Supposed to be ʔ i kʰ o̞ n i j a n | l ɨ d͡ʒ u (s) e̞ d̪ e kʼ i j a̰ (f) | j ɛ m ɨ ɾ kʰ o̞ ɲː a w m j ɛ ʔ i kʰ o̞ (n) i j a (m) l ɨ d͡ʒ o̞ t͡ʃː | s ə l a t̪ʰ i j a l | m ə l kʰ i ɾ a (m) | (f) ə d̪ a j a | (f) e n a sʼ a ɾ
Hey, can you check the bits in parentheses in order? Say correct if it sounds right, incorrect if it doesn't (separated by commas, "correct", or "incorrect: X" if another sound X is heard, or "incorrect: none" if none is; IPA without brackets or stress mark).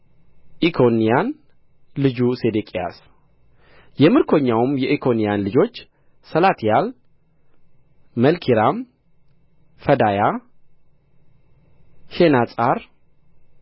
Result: correct, incorrect: s, correct, incorrect: n, correct, correct, incorrect: ʃ